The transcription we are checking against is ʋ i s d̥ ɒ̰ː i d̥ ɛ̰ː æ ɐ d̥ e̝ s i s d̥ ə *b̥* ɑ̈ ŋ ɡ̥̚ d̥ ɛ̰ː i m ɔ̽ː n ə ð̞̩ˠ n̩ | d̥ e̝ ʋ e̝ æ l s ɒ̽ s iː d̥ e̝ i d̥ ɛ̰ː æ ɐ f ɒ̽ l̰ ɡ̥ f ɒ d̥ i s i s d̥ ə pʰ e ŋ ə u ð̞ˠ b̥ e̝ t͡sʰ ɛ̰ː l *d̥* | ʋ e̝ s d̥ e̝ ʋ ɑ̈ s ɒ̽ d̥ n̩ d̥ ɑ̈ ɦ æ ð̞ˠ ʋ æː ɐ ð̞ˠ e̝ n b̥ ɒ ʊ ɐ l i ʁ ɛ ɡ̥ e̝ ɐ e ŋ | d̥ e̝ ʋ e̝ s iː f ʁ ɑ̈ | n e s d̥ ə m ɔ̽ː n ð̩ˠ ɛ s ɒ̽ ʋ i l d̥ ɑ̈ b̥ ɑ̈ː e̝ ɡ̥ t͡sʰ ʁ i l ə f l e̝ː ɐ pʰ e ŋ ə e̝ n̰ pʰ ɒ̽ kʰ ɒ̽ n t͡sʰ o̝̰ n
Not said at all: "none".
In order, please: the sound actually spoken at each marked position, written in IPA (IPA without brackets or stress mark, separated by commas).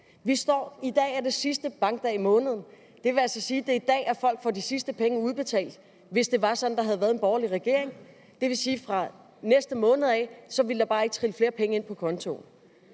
b̥, d̥